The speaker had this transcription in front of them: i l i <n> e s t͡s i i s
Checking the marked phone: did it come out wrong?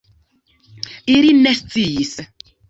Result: no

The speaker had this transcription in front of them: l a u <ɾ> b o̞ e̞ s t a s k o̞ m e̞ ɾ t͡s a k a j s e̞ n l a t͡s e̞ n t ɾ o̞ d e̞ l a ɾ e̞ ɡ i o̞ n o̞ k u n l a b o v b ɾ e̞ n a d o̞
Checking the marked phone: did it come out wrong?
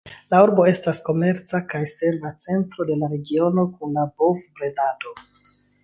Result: no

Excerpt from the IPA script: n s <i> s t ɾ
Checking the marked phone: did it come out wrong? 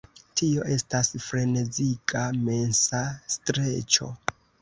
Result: yes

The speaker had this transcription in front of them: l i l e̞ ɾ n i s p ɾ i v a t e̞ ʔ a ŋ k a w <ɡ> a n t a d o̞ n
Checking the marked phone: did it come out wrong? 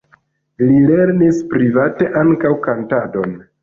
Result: yes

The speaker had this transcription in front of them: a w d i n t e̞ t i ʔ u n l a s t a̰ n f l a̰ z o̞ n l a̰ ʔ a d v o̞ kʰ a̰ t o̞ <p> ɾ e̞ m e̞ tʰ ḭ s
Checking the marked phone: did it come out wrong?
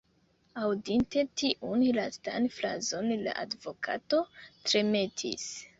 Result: yes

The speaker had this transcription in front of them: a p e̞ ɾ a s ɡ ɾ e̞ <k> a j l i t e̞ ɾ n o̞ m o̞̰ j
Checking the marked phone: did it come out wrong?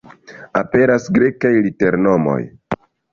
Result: no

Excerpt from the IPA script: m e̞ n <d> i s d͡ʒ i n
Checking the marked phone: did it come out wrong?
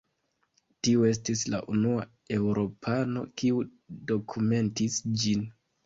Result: yes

